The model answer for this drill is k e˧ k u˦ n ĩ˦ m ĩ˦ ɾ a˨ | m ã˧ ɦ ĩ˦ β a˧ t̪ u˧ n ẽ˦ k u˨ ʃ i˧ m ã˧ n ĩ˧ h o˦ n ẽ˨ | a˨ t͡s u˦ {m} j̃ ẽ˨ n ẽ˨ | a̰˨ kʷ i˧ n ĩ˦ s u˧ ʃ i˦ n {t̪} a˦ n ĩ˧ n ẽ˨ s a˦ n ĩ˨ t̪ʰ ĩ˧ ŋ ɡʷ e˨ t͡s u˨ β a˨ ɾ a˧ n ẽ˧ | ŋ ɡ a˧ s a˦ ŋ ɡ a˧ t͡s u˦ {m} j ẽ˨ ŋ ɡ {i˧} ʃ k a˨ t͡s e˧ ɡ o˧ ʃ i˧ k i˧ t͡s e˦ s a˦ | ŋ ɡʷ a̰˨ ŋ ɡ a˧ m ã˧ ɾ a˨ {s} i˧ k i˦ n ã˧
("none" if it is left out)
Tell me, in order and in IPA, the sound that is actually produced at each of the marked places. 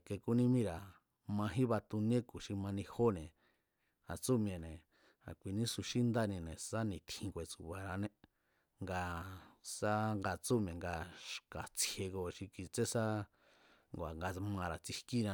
m, d̪, m, a˧, t͡s

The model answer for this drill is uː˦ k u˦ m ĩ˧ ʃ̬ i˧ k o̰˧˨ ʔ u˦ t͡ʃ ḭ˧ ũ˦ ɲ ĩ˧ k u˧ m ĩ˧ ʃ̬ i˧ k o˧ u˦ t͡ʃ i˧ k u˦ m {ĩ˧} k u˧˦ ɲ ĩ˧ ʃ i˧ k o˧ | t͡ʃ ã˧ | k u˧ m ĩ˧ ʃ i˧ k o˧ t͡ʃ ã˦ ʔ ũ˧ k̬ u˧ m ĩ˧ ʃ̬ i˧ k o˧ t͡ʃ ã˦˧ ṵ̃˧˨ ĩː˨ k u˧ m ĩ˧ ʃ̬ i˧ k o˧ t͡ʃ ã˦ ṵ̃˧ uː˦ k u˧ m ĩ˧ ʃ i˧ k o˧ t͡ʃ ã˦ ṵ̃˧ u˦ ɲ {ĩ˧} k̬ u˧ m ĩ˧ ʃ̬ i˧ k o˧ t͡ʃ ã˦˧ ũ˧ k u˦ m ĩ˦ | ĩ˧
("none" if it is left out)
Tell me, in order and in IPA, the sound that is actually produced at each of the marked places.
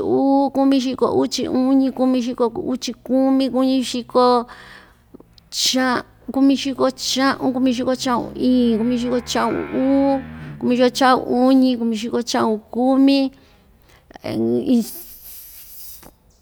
ĩ˧, ĩ˧

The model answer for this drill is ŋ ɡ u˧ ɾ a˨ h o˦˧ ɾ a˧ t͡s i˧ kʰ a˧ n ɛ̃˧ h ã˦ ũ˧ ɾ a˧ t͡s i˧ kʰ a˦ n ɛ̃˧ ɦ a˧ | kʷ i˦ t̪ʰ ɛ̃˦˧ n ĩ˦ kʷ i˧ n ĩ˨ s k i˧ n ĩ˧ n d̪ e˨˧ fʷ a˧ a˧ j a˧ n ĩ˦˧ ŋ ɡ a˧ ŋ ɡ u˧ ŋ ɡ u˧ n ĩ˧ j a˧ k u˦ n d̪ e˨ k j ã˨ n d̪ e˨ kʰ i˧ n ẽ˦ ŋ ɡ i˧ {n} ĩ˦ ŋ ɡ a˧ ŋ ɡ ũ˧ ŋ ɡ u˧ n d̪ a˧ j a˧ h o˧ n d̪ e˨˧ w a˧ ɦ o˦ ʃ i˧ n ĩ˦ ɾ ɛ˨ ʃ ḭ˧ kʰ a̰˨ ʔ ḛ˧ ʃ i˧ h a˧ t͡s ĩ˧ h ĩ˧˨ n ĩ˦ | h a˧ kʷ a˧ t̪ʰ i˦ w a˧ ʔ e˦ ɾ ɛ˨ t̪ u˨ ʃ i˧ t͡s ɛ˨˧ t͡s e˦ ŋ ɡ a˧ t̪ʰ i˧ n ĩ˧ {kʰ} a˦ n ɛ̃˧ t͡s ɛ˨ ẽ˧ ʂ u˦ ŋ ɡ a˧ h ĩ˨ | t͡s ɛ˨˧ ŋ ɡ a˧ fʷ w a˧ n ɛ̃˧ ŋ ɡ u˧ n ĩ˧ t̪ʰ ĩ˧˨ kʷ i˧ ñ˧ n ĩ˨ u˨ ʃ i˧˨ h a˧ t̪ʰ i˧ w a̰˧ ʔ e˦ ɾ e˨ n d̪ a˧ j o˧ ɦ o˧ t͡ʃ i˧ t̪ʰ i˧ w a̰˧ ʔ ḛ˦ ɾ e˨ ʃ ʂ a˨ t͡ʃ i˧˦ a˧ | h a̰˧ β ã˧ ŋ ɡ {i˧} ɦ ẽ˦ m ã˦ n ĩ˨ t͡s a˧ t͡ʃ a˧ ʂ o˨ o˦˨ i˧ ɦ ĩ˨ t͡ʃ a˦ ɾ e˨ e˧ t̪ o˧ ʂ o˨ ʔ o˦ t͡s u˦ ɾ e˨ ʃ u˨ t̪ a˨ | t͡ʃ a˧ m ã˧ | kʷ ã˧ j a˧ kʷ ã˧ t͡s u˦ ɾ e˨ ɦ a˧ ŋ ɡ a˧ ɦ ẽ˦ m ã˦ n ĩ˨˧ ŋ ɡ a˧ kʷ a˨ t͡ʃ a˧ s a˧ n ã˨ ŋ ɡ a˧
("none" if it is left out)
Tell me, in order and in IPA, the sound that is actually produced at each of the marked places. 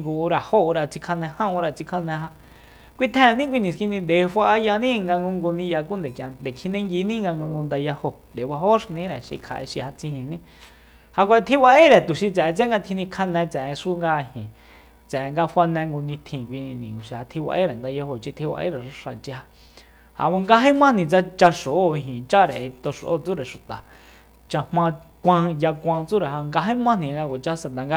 n, kʰ, a˧

